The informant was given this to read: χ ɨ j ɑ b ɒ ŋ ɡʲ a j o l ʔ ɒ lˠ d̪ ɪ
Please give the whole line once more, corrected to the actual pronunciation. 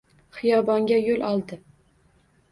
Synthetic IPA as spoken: χ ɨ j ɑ b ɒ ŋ ɡʲ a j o l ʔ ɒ lˠ d̪ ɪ